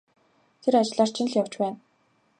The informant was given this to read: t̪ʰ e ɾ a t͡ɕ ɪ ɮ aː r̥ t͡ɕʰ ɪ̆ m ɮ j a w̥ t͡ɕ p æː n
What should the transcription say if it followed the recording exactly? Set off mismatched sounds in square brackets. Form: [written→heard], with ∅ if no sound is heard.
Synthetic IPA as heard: t̪ʰ e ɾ a t͡ɕ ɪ ɮ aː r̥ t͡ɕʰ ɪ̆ [m→n] ɮ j a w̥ t͡ɕ p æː n